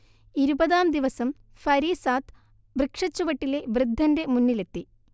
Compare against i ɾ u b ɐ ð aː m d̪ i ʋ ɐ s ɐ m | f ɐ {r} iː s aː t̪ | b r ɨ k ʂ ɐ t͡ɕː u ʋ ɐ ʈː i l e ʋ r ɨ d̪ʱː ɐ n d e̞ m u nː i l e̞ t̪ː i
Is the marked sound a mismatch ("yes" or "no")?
yes